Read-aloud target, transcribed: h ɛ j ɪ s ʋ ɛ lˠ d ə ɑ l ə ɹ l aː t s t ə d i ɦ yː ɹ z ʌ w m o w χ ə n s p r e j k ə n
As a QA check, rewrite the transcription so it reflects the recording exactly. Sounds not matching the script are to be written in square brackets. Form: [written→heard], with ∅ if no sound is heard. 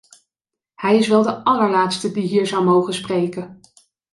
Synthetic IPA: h ɛ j ɪ s ʋ ɛ lˠ d ə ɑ l ə ɹ l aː t s t ə d i ɦ [yː→iː] ɹ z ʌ w m o w χ ə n s p r e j k ə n

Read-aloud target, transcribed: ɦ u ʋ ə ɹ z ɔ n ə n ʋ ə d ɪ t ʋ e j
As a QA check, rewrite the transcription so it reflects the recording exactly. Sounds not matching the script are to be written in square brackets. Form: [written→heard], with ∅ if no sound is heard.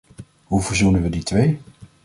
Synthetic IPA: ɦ u [ʋ→v] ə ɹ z [ɔ→u] n ə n ʋ ə d [ɪ→i] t ʋ e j

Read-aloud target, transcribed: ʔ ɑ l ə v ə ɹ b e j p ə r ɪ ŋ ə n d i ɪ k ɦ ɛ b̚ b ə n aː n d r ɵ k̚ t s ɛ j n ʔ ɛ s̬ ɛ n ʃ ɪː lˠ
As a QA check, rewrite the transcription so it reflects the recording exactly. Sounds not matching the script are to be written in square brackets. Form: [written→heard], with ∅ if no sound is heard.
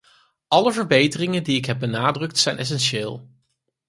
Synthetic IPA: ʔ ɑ l ə v ə ɹ b e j [p→t] ə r ɪ ŋ ə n d i ɪ k ɦ ɛ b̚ b ə n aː [n→∅] d r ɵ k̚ t s ɛ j n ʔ ɛ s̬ ɛ n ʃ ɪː lˠ

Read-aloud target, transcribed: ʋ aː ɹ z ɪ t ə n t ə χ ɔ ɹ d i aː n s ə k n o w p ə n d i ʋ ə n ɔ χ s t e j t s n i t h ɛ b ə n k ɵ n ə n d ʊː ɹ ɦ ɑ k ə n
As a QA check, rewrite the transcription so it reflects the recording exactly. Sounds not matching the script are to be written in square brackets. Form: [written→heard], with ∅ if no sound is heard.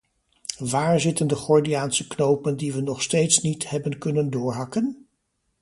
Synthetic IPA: ʋ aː ɹ z ɪ t ə n [t→d] ə χ ɔ ɹ d i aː n s ə k n o w p ə n d i ʋ ə n ɔ χ s t e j t s n i t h ɛ b ə n k ɵ n ə n d ʊː ɹ ɦ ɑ k ə n

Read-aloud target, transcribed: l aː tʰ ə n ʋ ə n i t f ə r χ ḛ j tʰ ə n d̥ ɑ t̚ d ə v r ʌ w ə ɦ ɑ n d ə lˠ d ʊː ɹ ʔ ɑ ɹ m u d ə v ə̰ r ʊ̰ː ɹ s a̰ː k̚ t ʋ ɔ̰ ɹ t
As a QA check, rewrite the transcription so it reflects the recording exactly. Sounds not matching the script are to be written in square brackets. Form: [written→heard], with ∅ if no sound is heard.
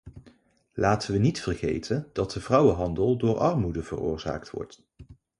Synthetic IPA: l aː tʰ ə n ʋ ə n i t f ə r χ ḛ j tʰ ə n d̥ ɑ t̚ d ə v r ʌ w ə ɦ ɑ n d ə lˠ d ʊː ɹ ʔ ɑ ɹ m u d ə v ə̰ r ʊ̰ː ɹ [s→z] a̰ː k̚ t ʋ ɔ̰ ɹ t

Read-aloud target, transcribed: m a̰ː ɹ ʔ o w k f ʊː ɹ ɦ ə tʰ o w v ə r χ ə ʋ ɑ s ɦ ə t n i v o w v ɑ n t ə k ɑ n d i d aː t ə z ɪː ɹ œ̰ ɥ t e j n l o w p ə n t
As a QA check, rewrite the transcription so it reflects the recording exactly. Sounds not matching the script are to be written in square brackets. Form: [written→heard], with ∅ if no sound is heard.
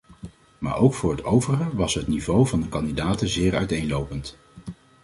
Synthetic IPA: m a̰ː ɹ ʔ o w k f ʊː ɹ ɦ ə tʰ o w v ə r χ ə ʋ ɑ s ɦ ə t n i v o w v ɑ n [t→d] ə k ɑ n d i d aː t ə z ɪː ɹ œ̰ ɥ t e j n l o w p ə n t

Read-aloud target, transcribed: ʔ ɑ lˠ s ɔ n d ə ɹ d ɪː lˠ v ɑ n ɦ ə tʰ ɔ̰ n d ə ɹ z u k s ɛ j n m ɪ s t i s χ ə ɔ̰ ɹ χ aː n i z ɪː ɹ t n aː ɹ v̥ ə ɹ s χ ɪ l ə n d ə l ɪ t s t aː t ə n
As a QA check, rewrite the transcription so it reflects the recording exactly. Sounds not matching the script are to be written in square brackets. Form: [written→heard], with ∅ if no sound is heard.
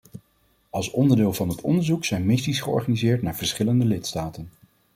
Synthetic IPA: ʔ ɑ lˠ s ɔ n d ə ɹ d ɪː lˠ v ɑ n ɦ ə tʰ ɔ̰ n d ə ɹ z u k s ɛ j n m ɪ s t i s χ ə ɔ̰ ɹ χ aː n i z ɪː ɹ t n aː ɹ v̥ ə ɹ s χ ɪ l ə n d ə l ɪ t s t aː t ə n

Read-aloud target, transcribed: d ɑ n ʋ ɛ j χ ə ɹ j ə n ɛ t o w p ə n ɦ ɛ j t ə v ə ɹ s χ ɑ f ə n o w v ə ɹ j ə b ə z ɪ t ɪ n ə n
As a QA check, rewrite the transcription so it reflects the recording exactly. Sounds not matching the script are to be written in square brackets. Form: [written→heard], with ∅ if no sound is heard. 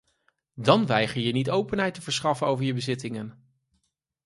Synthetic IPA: d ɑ n ʋ ɛ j χ ə ɹ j ə n [ɛ→i] t o w p ə n ɦ ɛ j t ə v ə ɹ s χ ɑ f ə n o w v ə ɹ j ə b ə z ɪ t ɪ [n→ŋ] ə n

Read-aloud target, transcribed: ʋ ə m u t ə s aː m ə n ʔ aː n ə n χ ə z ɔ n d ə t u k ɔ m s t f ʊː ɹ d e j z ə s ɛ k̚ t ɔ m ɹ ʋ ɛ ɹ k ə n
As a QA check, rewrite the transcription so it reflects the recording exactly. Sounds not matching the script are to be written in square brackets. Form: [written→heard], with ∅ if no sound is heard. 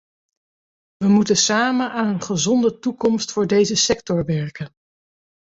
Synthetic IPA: ʋ ə m u t ə s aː m ə n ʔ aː n ə n χ ə z ɔ n d ə t u k ɔ m s t f ʊː ɹ d e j z ə s ɛ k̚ t ɔ [m→∅] ɹ ʋ ɛ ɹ k ə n

